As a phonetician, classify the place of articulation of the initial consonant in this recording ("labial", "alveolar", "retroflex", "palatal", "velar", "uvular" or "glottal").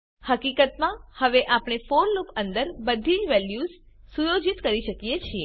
glottal